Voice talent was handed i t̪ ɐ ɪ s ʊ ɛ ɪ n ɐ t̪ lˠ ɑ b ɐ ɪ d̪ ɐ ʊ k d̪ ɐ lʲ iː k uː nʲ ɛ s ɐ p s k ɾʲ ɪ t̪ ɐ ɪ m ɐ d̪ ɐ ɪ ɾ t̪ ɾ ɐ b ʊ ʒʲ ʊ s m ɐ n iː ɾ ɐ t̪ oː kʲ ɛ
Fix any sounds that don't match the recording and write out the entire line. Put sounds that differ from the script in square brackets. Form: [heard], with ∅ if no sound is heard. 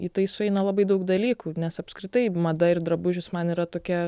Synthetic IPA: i t̪ ɐ ɪ s ʊ ɛ ɪ n ɐ [∅] lˠ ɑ b ɐ ɪ d̪ ɐ ʊ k d̪ ɐ lʲ iː k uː nʲ ɛ s ɐ p s k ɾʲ ɪ t̪ ɐ ɪ m ɐ d̪ ɐ ɪ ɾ [d̪] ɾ ɐ b ʊ ʒʲ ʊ s m ɐ n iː ɾ ɐ t̪ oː kʲ ɛ